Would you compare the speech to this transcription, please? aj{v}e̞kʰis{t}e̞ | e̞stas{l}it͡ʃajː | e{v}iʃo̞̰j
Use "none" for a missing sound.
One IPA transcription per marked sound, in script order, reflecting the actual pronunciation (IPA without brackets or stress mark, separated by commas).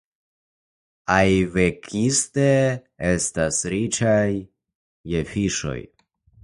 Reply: v, t, ɾ, f